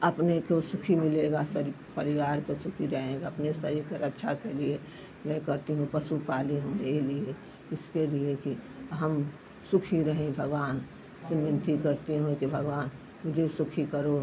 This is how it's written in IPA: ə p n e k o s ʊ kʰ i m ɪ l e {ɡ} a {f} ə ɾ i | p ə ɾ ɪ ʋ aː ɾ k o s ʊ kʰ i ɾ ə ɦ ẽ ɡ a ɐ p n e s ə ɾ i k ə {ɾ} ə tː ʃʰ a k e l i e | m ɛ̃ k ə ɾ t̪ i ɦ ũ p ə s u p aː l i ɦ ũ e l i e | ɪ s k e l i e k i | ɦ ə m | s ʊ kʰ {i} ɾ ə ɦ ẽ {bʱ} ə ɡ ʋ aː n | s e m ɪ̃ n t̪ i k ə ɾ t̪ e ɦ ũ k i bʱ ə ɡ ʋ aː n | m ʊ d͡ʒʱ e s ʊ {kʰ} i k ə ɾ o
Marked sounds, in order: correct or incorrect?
correct, incorrect: s, correct, correct, correct, correct

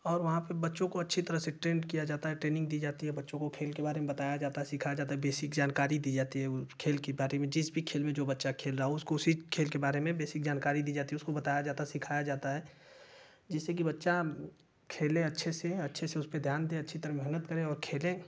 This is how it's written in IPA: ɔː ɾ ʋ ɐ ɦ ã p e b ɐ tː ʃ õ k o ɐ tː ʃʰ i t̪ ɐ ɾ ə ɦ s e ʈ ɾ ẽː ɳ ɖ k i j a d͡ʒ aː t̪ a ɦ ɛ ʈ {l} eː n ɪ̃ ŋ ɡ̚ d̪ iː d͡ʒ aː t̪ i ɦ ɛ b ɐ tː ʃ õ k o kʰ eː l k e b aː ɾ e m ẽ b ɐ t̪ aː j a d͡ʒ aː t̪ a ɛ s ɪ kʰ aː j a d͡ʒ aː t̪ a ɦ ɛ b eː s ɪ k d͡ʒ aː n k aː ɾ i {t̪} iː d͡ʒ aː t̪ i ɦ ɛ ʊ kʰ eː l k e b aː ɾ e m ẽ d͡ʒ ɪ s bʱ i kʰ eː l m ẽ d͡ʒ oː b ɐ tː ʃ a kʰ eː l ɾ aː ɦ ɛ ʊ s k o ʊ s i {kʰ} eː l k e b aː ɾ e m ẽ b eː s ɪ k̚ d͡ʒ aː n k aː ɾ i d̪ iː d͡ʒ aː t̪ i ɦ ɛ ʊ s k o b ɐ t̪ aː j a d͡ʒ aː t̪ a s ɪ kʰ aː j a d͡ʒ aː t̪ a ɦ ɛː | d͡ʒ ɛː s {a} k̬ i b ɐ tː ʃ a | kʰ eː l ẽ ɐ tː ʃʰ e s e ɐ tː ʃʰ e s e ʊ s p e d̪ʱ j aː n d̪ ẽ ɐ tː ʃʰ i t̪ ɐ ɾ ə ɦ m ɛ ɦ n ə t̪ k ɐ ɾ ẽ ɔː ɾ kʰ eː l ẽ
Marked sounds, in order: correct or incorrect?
incorrect: ɾ, incorrect: d̪, correct, incorrect: e

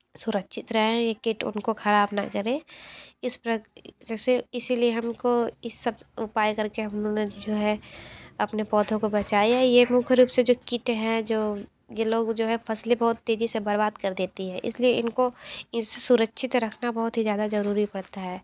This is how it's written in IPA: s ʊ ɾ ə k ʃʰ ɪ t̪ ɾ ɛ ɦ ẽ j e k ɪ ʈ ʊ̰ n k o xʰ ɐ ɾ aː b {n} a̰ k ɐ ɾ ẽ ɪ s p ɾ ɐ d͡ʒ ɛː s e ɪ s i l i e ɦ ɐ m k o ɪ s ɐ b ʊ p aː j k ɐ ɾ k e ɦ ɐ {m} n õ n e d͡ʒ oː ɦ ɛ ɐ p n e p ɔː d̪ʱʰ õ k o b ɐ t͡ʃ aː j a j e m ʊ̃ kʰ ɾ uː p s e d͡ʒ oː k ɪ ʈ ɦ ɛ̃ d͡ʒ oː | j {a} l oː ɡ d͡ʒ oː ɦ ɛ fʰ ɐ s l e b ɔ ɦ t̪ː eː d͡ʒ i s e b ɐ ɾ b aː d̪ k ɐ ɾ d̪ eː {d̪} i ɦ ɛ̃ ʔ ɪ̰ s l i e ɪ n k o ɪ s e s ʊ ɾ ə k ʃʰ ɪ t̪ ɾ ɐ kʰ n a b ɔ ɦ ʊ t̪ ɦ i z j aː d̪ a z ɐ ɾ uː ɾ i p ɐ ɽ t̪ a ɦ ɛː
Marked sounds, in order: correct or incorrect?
correct, correct, incorrect: e, incorrect: t̪

